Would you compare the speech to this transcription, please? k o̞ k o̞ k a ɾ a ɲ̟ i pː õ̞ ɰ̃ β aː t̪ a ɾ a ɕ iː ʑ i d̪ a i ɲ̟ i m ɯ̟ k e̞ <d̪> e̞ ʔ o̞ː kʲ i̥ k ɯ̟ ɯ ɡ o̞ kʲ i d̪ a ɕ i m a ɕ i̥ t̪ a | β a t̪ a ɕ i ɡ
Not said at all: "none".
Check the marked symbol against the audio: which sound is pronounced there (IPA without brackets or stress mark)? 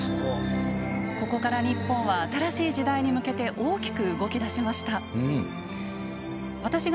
t̪